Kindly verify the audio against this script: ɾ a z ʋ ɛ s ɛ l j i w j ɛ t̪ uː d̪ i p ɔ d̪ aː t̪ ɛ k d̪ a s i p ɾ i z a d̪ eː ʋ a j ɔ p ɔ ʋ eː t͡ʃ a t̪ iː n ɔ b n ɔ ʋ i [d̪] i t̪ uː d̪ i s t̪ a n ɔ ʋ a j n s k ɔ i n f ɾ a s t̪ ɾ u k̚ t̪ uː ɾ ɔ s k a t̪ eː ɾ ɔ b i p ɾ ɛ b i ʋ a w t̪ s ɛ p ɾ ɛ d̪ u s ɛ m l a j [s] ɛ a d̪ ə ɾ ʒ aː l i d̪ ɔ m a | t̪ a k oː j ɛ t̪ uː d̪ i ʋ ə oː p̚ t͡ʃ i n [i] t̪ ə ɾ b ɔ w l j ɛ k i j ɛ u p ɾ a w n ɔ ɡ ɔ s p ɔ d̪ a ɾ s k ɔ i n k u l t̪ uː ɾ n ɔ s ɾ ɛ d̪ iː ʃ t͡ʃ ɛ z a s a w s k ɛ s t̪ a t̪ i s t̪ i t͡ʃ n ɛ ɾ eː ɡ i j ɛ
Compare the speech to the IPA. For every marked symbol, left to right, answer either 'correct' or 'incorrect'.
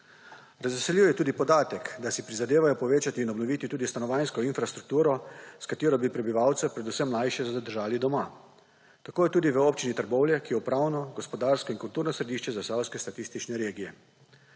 incorrect, incorrect, correct

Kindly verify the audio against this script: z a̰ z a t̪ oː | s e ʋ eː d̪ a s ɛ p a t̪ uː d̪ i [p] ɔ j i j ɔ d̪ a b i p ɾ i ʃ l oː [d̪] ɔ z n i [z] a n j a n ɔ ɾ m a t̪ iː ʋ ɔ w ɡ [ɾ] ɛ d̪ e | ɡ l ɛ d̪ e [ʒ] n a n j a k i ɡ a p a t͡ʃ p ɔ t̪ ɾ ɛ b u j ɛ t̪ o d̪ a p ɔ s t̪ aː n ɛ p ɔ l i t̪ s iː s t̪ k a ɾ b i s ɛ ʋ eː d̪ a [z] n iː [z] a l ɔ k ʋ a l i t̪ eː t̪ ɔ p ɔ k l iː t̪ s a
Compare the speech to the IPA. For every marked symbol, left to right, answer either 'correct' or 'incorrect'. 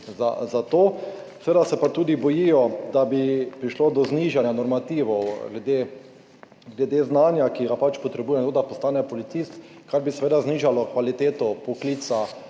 incorrect, correct, incorrect, incorrect, incorrect, correct, incorrect

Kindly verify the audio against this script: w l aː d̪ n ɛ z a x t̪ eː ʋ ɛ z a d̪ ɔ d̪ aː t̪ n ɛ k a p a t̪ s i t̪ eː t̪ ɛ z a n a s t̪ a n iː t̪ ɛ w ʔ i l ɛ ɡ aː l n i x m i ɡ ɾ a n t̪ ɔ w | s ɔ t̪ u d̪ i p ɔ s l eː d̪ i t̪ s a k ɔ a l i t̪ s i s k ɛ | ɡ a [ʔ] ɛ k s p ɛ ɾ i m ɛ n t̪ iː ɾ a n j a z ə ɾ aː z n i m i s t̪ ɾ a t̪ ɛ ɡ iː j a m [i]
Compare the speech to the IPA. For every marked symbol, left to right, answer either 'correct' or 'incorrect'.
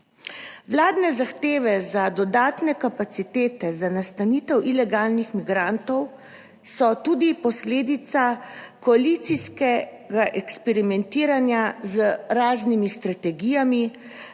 correct, correct

